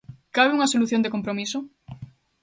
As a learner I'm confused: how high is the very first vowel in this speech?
low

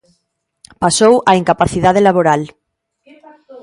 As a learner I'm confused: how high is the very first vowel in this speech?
low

